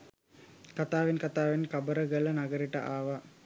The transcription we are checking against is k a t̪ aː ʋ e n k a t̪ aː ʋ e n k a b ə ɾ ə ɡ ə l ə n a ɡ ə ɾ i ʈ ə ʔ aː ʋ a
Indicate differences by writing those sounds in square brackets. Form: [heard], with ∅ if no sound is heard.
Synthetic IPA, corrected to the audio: k a t̪ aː ʋ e n k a t̪ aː ʋ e n k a b ə ɾ ə ɡ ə l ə n a ɡ ə ɾ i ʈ ə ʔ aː ʋ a